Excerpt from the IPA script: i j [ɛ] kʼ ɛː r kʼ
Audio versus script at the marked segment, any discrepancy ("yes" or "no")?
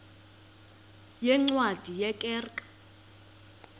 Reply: no